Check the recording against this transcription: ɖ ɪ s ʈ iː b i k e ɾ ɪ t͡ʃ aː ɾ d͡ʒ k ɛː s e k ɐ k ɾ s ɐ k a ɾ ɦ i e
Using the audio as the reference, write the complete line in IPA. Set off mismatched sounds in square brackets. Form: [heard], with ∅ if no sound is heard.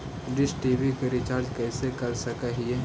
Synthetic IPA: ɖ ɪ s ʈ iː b i k e ɾ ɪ t͡ʃ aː ɾ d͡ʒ k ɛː s e k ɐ [∅] ɾ s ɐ k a [∅] ɦ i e